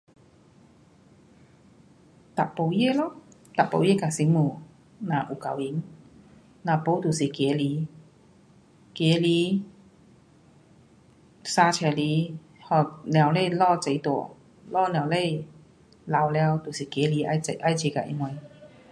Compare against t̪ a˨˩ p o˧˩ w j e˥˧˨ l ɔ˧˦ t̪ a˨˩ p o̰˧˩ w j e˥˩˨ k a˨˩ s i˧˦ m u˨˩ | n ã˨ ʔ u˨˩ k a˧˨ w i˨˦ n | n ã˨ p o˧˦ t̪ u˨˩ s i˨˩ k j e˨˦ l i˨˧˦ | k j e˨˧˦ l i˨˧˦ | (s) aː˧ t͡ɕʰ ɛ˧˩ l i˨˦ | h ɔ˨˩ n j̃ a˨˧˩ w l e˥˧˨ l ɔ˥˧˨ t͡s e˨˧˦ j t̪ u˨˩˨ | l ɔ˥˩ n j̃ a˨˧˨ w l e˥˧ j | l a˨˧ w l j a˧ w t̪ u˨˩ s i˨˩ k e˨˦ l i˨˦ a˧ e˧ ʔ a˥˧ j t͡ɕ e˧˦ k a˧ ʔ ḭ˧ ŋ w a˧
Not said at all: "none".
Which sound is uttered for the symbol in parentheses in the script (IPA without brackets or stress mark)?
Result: s